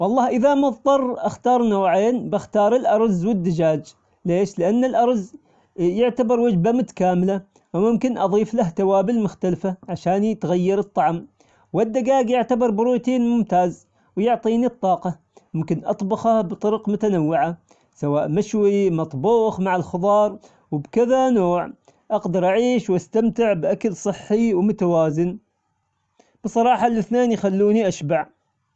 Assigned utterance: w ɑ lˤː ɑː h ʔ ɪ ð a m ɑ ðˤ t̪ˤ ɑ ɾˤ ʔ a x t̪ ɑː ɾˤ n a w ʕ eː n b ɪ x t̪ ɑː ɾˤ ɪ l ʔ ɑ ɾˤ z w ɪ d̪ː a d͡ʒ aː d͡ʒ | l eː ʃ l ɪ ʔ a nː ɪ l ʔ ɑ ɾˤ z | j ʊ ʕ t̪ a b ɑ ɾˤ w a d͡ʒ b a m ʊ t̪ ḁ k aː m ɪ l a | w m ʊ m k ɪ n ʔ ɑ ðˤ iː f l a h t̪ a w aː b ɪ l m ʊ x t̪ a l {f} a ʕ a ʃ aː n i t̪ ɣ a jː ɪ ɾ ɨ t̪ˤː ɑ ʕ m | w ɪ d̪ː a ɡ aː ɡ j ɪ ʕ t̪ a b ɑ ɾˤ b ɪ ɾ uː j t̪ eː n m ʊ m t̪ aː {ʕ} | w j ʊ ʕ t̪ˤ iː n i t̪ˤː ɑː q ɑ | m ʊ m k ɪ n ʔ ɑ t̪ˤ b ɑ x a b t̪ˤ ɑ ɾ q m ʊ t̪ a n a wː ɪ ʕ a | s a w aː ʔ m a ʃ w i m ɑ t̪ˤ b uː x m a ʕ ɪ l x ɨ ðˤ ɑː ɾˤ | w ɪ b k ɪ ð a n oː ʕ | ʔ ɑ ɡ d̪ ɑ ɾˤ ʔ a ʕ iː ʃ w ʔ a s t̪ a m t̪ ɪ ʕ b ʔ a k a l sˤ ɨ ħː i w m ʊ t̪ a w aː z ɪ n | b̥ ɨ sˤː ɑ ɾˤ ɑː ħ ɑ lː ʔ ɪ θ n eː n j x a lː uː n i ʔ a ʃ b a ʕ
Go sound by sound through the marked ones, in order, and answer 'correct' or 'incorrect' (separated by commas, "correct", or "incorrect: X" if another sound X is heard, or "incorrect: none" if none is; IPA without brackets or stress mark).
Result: correct, incorrect: z